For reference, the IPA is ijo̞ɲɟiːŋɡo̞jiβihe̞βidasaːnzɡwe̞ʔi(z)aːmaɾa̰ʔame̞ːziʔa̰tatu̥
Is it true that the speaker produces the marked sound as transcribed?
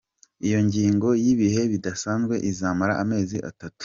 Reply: yes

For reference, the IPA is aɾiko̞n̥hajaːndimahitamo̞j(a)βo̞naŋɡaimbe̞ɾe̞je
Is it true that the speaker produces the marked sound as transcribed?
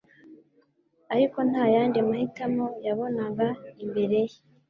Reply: yes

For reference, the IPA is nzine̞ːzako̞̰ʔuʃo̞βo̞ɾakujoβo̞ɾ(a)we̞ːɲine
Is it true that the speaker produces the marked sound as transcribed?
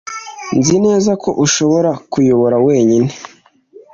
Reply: yes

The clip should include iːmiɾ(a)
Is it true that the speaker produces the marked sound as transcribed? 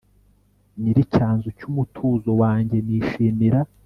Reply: yes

